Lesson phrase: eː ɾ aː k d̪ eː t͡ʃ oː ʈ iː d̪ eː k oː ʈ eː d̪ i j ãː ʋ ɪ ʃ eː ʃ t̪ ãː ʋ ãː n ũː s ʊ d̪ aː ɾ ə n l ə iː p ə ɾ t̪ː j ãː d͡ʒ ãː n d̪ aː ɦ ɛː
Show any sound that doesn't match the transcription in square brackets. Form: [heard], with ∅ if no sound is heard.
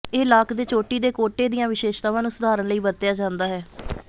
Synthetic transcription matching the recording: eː [l] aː k d̪ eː t͡ʃ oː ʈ iː d̪ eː k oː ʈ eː d̪ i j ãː ʋ ɪ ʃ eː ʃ t̪ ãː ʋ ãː n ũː s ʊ d̪ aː ɾ ə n l ə iː [b] ə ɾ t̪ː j [aː] d͡ʒ ãː n d̪ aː ɦ ɛː